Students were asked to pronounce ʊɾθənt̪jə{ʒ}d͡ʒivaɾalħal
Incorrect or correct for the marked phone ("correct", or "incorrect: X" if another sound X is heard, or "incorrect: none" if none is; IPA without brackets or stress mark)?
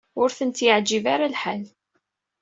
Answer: incorrect: ʕ